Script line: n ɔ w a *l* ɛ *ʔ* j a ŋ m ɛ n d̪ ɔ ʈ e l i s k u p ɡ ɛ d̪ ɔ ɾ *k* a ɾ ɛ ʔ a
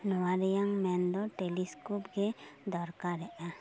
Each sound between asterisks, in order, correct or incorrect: incorrect: ɾ, incorrect: none, correct

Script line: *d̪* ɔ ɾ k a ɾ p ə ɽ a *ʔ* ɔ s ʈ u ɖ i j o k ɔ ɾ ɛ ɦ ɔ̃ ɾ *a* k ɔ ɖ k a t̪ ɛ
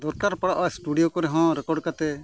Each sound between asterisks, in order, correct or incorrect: correct, correct, incorrect: ɛ

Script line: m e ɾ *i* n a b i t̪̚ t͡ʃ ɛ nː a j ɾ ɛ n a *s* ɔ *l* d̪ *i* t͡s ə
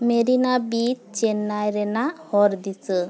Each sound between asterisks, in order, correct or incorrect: correct, incorrect: h, incorrect: ɾ, correct

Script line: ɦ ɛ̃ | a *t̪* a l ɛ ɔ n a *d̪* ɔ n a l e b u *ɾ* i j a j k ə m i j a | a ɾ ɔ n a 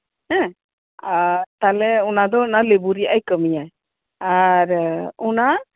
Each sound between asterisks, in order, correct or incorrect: correct, correct, correct

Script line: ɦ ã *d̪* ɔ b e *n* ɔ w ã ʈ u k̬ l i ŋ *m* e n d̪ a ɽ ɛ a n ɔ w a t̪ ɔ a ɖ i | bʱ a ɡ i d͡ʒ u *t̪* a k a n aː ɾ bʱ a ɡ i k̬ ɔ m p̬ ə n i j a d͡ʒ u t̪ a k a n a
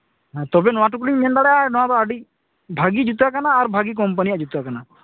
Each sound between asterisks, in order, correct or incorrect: incorrect: t̪, correct, correct, correct

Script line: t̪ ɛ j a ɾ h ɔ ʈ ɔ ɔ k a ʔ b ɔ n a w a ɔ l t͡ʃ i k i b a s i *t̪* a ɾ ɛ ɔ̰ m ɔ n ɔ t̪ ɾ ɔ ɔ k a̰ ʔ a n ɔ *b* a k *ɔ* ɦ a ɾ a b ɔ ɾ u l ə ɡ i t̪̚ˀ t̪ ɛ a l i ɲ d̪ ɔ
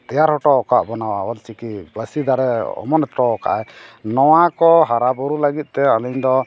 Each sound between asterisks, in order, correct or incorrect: incorrect: d̪, incorrect: w, correct

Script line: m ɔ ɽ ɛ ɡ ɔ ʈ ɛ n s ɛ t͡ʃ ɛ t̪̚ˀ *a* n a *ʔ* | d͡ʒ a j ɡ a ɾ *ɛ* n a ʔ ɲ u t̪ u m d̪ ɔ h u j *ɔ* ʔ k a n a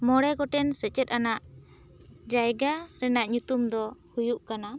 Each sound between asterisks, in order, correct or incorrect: correct, correct, correct, incorrect: u

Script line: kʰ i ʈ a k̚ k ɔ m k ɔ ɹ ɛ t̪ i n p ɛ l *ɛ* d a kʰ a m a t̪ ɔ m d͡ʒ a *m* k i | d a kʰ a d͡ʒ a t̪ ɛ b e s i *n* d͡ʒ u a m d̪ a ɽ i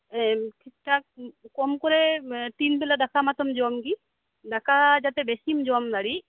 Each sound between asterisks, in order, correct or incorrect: incorrect: a, correct, incorrect: m

